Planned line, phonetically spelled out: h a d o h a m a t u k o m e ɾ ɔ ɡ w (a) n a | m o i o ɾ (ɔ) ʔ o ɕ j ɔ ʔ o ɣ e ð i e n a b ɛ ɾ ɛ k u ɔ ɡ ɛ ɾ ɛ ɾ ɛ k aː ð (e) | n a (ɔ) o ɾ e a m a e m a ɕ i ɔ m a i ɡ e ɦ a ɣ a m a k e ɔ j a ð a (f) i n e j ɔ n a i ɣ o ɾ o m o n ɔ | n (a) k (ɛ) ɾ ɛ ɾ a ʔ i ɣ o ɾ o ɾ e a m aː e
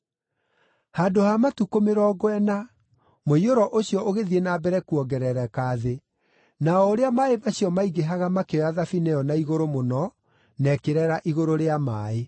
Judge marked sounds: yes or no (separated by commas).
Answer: no, yes, yes, yes, yes, no, no